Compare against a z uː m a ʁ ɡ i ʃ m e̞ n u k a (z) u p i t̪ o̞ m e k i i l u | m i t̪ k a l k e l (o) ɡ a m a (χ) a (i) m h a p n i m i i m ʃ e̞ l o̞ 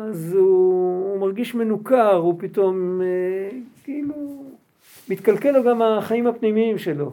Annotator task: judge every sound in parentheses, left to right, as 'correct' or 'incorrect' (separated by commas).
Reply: incorrect, correct, correct, correct